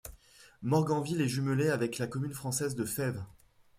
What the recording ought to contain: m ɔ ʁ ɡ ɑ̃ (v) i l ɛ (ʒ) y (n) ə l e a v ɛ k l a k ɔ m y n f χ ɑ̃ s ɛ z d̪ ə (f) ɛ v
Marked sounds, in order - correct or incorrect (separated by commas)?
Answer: correct, correct, incorrect, correct